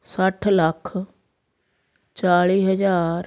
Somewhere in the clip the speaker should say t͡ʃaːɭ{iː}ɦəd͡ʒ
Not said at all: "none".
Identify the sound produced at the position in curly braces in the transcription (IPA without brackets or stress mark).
iː